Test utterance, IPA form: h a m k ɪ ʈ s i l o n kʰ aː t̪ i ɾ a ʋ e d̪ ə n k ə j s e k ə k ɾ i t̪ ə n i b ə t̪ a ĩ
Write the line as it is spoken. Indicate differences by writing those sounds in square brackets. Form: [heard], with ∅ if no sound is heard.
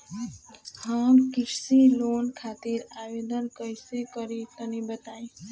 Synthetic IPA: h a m k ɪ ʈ s i l o n kʰ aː t̪ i ɾ a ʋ e d̪ ə n k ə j s e k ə [∅] ɾ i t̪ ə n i b ə t̪ a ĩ